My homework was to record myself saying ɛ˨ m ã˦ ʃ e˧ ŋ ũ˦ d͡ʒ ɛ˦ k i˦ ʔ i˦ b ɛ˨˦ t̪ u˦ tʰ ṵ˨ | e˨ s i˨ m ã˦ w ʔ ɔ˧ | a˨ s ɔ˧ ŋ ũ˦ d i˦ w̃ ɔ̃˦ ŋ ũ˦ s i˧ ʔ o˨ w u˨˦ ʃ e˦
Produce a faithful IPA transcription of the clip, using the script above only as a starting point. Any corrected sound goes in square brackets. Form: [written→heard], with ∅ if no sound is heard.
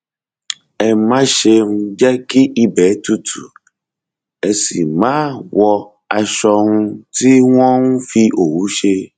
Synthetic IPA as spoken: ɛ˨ m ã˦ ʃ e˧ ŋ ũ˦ d͡ʒ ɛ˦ k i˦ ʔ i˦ b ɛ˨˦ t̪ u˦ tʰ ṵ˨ | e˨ s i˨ m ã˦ w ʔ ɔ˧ | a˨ [s→ʃ] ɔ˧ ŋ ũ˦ [d→t] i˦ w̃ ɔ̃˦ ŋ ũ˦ [s→f] i˧ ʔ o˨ w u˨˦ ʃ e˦